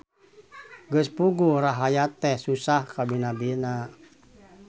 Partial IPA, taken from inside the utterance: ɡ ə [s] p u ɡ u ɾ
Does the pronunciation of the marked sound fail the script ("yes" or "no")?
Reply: no